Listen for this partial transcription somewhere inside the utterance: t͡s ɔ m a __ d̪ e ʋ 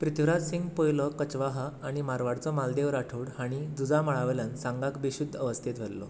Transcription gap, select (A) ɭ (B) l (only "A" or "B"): B